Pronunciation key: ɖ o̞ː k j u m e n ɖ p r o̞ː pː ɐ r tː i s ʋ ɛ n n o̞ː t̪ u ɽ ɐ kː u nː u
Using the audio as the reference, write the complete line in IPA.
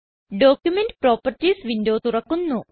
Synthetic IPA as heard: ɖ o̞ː k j u m e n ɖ p r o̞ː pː ɐ r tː i s ʋ i n d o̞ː t̪ u r ɐ kː u nː u